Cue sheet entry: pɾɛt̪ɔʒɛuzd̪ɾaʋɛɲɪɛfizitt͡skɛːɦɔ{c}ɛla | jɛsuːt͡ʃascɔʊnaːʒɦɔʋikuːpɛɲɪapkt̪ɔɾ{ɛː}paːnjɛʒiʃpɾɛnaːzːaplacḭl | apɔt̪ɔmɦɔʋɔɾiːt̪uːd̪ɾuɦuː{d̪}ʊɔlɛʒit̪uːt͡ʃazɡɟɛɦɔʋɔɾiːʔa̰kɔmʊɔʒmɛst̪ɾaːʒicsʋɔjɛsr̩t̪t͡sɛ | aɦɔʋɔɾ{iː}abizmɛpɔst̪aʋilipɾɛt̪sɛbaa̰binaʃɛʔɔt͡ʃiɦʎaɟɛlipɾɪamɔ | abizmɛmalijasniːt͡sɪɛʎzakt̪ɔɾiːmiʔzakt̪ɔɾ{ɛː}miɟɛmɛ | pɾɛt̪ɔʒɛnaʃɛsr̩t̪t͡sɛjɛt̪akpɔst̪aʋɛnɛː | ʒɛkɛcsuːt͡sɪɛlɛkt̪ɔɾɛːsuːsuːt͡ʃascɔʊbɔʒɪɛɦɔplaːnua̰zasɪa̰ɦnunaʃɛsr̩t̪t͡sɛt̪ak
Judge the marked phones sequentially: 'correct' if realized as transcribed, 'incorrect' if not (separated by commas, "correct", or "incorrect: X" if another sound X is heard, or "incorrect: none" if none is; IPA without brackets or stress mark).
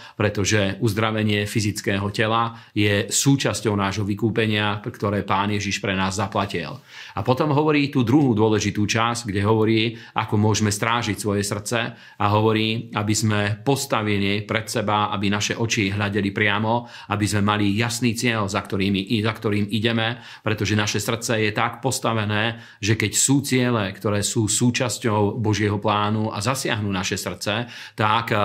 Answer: correct, correct, correct, correct, incorrect: iː